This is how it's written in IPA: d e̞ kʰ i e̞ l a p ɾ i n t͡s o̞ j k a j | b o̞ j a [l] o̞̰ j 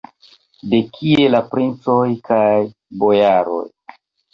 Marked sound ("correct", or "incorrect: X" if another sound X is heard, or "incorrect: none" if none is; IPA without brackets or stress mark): incorrect: ɾ